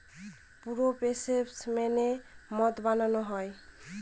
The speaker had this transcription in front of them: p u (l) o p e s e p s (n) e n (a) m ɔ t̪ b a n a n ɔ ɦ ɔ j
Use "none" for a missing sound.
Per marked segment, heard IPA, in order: ɾ, m, e

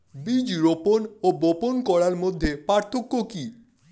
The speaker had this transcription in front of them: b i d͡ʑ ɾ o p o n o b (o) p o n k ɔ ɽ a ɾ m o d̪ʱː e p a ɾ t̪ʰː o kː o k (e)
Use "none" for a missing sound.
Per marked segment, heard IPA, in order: o, i

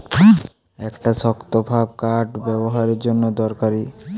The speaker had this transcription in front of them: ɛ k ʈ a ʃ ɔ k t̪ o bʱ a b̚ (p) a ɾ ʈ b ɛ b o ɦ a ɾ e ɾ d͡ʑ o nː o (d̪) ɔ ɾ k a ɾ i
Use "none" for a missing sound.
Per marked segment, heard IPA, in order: k, d̪

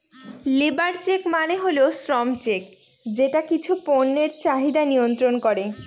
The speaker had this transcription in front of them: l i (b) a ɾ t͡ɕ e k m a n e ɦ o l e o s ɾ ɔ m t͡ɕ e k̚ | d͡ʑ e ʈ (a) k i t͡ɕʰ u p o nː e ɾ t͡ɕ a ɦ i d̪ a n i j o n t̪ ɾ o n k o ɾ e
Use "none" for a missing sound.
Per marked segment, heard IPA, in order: b, a

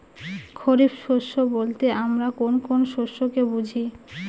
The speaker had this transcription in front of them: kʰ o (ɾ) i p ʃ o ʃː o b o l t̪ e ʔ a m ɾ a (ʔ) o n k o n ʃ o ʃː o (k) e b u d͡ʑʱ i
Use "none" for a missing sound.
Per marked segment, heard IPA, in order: ɾ, k, k

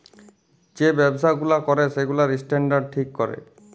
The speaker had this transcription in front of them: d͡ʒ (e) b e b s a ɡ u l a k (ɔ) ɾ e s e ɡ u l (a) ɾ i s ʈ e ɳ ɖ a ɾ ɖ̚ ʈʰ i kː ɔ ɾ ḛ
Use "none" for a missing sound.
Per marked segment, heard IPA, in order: e, ɔ, a

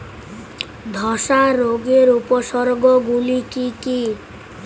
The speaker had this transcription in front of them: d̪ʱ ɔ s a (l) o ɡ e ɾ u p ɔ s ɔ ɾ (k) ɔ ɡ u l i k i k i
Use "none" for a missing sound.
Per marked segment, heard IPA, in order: ɾ, ɡ

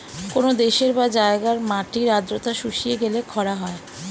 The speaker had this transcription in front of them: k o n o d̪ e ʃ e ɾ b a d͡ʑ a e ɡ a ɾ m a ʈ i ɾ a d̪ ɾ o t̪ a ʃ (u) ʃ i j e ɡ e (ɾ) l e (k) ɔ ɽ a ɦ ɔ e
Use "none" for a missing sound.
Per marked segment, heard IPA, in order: u, none, kʰ

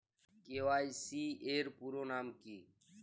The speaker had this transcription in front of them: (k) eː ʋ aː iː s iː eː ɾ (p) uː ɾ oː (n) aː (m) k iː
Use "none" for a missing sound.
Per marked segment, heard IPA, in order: k, p, n, m

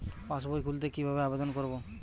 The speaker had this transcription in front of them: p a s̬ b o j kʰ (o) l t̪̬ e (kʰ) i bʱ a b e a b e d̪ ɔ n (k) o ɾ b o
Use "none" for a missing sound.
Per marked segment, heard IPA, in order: u, k, k

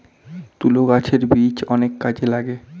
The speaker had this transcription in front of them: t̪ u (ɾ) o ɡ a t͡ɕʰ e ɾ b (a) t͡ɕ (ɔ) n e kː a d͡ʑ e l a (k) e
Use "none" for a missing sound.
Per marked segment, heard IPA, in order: l, i, ɔ, ɡ

